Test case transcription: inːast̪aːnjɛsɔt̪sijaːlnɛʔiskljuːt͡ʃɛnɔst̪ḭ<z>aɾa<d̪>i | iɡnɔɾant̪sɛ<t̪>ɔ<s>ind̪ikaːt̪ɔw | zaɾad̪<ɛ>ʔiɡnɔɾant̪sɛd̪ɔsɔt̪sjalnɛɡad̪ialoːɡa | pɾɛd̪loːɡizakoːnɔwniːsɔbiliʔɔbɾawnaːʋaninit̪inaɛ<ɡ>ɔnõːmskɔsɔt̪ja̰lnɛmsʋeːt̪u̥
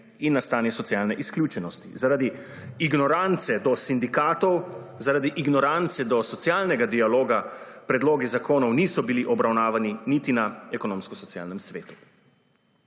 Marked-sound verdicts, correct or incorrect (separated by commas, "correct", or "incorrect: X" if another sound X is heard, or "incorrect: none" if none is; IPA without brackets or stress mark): correct, correct, incorrect: d̪, correct, incorrect: i, incorrect: k